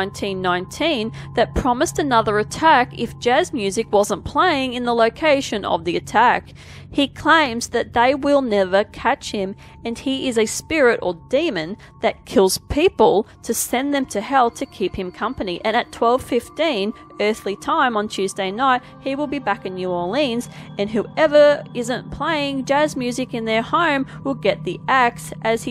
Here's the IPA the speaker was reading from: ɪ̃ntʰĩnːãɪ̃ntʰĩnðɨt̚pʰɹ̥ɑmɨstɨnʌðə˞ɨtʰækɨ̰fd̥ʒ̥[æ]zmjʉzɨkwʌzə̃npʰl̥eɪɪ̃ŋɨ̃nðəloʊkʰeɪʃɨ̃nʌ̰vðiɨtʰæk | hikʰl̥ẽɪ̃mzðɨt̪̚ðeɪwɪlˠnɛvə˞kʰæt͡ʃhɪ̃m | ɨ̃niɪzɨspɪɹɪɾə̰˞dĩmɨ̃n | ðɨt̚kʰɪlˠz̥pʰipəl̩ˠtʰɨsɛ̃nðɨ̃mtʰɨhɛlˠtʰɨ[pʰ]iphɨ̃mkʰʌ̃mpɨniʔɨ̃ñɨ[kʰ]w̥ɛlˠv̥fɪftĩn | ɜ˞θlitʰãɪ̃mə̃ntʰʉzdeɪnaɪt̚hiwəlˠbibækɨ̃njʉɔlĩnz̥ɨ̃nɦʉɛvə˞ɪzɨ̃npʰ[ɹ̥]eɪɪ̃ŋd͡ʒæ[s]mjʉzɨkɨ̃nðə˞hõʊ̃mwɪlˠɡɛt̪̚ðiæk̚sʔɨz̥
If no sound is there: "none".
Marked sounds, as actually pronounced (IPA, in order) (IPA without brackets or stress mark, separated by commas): æ, kʰ, tʰ, l̥, z